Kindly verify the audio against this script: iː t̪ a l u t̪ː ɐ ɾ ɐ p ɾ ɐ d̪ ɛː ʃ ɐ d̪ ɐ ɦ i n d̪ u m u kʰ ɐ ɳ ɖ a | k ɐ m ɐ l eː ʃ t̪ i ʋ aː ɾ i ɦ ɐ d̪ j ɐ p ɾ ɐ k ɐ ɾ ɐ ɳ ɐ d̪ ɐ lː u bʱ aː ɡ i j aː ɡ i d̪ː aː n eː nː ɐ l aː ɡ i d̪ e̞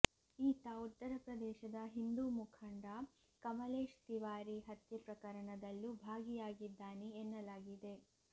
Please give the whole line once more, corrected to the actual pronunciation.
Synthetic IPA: iː t̪ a u t̪ː ɐ ɾ ɐ p ɾ ɐ d̪ ɛː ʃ ɐ d̪ ɐ ɦ i n d̪ u m u kʰ ɐ ɳ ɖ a | k ɐ m ɐ l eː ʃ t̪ i ʋ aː ɾ i ɦ ɐ t̪ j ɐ p ɾ ɐ k ɐ ɾ ɐ ɳ ɐ d̪ ɐ lː u bʱ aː ɡ i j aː ɡ i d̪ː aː n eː nː ɐ l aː ɡ i d̪ e̞